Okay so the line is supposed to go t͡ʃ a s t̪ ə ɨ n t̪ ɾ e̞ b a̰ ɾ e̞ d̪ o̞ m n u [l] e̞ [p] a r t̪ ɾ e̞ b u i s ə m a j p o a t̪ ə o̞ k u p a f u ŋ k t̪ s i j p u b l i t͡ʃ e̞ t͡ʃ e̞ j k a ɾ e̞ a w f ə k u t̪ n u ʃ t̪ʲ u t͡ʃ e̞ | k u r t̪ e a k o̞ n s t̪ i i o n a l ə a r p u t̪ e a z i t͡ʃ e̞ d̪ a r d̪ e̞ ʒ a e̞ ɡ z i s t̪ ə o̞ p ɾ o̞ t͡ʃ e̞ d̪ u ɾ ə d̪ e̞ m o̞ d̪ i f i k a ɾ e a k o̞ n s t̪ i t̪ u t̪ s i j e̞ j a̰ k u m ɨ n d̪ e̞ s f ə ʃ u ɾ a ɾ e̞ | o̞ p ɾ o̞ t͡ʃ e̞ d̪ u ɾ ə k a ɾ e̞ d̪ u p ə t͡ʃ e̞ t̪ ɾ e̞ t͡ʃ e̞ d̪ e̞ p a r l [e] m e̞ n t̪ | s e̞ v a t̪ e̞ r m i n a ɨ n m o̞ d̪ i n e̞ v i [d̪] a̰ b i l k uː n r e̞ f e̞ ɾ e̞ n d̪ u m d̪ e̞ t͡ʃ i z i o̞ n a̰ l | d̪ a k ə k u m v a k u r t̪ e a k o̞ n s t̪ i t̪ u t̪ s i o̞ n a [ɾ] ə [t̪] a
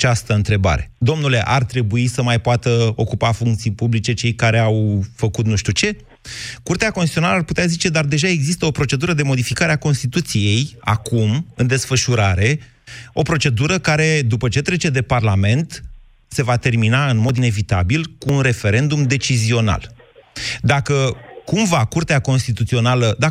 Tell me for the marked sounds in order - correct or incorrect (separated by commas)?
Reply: correct, incorrect, incorrect, incorrect, incorrect, incorrect